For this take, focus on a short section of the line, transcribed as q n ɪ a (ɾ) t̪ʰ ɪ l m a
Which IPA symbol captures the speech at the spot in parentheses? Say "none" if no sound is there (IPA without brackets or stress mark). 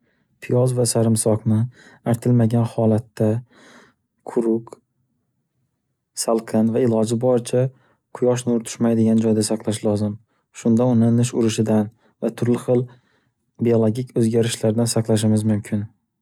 ɾ